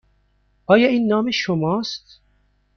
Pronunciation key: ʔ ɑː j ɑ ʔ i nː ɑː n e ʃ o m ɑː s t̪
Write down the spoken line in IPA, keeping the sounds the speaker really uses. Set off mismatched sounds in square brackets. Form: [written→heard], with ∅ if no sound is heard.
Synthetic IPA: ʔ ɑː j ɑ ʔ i nː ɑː [n→m] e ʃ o m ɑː s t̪